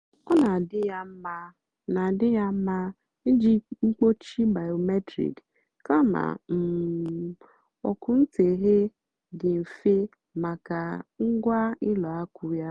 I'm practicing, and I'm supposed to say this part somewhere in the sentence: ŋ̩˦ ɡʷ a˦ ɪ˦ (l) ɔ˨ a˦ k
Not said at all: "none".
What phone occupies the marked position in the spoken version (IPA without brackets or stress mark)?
l